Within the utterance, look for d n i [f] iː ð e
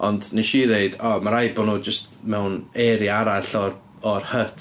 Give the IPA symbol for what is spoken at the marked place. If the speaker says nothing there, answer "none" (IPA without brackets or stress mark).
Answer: ʃ